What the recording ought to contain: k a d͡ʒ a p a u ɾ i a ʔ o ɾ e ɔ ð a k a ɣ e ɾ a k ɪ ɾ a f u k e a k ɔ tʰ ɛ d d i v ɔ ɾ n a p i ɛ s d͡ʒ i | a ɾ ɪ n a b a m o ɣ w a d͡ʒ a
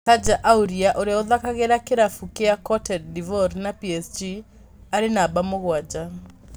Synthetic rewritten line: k a d͡ʒ a ʔ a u ɾ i a ʔ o ɾ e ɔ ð a k a ɣ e ɾ a k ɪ ɾ a f u k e a k ɔ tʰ ɛ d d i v ɔ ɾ n a p i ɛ s d͡ʒ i | a ɾ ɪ n a b a m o ɣ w a d͡ʒ a